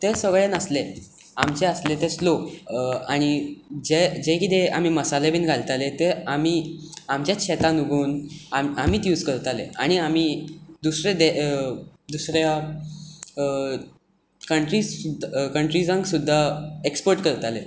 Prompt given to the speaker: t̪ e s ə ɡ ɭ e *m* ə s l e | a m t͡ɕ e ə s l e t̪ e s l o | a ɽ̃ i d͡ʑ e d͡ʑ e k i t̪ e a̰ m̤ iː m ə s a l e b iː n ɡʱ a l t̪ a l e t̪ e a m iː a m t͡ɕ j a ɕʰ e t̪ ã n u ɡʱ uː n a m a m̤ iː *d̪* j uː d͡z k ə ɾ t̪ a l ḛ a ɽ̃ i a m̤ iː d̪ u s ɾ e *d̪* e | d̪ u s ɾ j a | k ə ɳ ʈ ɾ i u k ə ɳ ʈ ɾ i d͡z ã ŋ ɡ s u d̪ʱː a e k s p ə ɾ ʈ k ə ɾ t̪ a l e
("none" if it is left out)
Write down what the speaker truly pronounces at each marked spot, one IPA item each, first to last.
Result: n, t̪, d̪

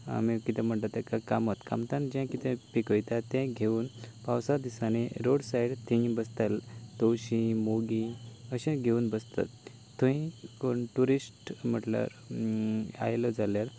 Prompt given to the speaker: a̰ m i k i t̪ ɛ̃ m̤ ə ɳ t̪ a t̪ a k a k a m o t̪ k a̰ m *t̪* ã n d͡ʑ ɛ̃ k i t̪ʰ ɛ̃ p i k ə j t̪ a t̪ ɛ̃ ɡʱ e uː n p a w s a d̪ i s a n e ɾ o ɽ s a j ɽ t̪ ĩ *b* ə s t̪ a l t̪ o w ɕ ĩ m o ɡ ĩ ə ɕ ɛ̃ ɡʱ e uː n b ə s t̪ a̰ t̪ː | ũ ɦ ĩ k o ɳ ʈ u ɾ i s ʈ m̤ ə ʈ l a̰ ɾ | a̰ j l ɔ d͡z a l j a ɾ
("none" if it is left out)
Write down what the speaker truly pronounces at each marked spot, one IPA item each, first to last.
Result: t̪, b

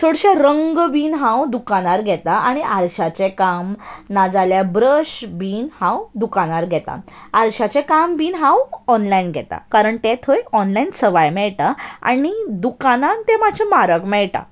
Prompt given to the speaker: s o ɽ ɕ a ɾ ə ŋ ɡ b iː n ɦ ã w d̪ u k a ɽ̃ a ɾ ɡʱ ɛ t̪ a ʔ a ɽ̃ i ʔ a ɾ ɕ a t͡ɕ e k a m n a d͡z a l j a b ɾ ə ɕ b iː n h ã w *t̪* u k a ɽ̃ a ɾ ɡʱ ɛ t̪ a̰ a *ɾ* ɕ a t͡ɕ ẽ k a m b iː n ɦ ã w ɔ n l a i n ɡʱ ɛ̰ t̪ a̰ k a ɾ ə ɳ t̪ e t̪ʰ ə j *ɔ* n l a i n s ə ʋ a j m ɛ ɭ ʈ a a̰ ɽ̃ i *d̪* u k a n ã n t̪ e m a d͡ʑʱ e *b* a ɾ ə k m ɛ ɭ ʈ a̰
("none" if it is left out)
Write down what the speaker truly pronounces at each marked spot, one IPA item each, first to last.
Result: d̪, ɾ, ɔ, d̪, m

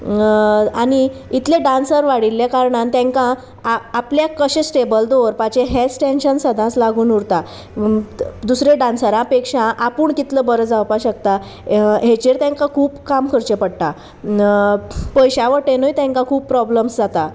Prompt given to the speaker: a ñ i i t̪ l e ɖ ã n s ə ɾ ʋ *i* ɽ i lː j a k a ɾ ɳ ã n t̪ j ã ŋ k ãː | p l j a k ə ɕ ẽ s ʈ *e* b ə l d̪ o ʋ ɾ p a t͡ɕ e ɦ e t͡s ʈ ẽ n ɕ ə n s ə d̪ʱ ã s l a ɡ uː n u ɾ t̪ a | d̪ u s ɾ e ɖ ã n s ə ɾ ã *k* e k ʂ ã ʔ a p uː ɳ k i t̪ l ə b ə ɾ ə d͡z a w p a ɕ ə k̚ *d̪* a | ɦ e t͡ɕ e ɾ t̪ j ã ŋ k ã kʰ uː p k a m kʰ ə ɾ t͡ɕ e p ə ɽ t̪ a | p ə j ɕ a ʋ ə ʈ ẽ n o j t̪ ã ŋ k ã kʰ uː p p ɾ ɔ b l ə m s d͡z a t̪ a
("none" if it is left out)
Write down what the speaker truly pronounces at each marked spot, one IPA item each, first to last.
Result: a, e, p, t̪

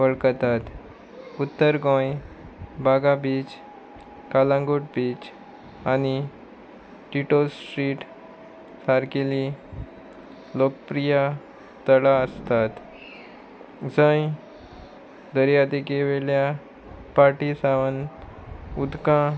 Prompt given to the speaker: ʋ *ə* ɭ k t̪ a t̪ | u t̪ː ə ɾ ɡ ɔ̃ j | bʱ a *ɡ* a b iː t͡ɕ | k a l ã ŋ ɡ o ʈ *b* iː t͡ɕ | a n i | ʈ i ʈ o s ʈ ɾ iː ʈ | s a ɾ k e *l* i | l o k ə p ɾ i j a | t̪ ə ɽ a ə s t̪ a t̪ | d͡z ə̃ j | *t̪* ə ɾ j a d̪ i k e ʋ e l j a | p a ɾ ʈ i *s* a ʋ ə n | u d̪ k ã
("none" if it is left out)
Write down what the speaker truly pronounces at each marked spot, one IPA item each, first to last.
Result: ə, ɡ, b, l, d̪, s

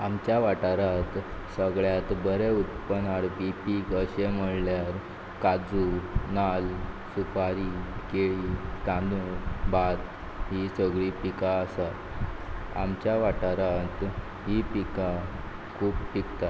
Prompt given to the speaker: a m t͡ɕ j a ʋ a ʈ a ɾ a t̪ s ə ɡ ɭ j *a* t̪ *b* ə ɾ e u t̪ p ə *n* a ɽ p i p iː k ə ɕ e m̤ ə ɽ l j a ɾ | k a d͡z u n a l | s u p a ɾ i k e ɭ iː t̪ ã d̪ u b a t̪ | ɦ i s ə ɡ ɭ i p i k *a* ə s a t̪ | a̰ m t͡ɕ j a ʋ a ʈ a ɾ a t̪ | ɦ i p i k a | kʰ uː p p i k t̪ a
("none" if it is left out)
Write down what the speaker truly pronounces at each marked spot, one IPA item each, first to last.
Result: a, b, n, a

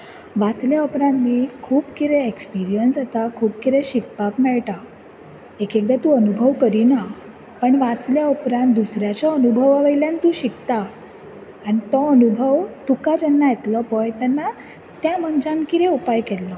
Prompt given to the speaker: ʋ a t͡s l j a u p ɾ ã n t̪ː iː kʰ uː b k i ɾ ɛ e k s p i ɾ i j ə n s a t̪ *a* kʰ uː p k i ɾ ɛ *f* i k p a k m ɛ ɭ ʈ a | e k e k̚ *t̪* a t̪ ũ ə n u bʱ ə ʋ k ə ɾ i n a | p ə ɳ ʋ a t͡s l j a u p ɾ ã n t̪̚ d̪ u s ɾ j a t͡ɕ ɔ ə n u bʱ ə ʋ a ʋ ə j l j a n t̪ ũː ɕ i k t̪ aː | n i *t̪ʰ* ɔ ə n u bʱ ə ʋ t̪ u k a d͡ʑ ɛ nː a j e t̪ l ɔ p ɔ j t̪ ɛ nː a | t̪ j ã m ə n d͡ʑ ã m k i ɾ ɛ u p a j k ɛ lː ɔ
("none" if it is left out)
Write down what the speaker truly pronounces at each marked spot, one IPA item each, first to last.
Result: a, ɕ, d̪, t̪

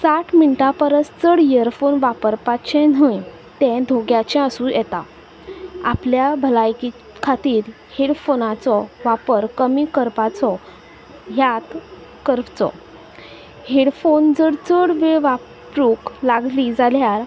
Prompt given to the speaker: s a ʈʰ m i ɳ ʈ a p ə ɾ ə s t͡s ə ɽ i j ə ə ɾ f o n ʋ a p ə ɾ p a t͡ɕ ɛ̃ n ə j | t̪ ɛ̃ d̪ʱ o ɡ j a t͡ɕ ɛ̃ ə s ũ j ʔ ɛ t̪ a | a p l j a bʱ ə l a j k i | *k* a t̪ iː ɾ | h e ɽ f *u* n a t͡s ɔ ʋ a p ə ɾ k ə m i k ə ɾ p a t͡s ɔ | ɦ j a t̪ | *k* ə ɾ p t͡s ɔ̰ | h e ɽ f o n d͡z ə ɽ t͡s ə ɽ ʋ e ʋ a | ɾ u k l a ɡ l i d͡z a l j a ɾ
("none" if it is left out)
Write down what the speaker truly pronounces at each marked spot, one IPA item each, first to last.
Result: kʰ, o, k

